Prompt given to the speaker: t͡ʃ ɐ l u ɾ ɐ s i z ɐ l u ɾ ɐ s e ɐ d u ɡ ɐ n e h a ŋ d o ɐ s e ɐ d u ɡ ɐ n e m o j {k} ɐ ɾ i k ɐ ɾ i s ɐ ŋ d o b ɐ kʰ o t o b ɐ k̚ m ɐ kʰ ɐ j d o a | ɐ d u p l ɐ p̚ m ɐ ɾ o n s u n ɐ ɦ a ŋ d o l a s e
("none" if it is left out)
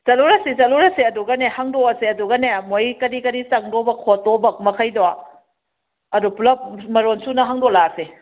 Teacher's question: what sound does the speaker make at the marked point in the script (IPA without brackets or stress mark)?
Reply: k